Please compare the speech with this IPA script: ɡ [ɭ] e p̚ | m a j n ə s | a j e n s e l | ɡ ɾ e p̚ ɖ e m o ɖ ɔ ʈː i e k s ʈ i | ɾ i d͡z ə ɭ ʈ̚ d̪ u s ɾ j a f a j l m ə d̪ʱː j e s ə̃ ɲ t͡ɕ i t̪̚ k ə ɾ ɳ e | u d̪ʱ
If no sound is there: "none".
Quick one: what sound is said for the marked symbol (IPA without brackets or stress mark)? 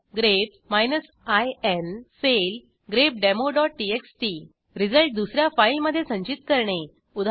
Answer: ɾ